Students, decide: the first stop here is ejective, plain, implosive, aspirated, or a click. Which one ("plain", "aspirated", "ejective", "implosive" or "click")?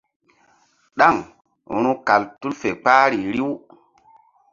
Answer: implosive